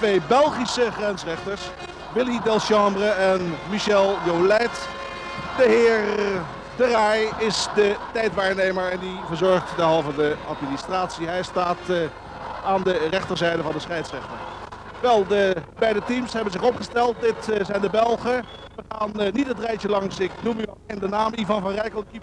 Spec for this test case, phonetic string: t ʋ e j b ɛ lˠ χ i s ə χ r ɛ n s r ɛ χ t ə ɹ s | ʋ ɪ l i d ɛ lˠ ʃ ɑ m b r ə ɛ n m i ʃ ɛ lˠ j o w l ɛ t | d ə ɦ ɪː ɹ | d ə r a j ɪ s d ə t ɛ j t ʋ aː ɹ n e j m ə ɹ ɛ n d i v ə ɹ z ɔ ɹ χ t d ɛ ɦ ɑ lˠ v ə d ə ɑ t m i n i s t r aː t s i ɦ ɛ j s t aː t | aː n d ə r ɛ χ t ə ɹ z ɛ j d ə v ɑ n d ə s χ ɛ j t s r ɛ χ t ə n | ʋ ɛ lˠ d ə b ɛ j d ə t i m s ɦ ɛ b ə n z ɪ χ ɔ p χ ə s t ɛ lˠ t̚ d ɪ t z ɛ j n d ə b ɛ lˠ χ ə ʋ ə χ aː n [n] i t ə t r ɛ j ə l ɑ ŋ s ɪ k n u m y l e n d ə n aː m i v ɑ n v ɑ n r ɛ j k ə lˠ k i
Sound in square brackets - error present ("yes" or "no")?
no